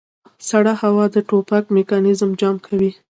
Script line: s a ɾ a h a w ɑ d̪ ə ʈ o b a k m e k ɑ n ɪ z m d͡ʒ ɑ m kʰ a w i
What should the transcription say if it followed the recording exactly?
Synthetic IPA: s a ɽ a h a w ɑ d̪ ə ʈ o p a k m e k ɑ n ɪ z m d͡ʒ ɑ m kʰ a w i